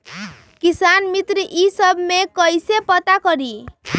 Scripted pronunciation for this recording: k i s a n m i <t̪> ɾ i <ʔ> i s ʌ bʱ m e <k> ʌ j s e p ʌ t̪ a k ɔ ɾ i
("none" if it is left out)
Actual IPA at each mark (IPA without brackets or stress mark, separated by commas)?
t̪, ʔ, k